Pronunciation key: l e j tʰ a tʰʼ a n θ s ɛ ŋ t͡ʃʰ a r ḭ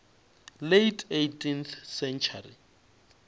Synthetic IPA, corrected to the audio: l e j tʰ e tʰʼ i n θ s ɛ n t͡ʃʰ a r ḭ